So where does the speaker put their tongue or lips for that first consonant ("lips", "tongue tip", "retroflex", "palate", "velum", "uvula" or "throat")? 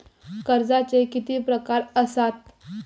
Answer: velum